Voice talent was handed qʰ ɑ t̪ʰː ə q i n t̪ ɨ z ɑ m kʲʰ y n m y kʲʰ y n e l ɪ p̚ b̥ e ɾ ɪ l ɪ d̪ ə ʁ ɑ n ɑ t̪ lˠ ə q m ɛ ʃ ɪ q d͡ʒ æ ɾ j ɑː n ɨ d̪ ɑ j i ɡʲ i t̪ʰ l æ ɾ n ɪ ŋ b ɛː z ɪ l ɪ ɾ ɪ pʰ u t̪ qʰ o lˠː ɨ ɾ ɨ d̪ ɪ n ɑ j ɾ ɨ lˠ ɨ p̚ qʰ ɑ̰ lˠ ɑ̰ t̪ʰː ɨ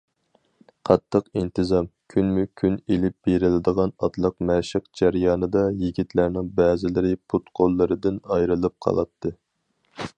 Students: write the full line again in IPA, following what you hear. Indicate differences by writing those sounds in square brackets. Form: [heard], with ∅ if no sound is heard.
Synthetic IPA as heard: qʰ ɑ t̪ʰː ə q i n t̪ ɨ z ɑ m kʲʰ y n m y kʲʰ y n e l ɪ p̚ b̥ e ɾ ɪ l ɪ d̪ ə ʁ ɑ n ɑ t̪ lˠ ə q m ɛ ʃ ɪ q d͡ʒ æ ɾ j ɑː n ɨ d̪ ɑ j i ɡʲ i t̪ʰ l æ ɾ n ɪ ŋ b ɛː z ɪ l ɪ ɾ ɪ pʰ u t̪ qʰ o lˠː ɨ ɾ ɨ d̪ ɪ n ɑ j ɾ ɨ lˠ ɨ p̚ qʰ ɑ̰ lˠ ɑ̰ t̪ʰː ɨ